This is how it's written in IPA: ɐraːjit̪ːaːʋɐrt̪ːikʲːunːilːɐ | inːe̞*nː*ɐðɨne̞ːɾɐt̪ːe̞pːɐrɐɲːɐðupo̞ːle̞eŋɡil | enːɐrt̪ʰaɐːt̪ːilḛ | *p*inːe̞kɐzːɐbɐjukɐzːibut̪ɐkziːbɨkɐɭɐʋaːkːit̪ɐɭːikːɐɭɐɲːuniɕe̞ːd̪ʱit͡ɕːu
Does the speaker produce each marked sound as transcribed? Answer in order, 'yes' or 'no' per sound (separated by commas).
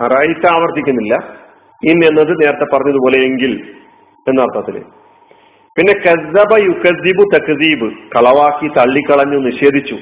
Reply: yes, yes